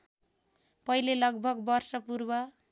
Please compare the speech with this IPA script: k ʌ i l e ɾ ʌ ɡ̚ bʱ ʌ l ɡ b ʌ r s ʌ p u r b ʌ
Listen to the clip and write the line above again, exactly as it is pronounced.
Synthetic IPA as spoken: p ʌ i l e l ʌ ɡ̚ bʱ ʌ ɡ b ʌ r s ʌ p u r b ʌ